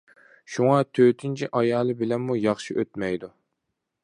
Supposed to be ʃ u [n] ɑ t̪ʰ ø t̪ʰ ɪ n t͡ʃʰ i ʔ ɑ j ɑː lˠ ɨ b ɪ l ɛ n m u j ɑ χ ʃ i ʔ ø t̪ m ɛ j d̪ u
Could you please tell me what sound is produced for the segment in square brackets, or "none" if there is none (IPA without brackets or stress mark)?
ŋ